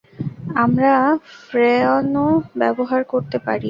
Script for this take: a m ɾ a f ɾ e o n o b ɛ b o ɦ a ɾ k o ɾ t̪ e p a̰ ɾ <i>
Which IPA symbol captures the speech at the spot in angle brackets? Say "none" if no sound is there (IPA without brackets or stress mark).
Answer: i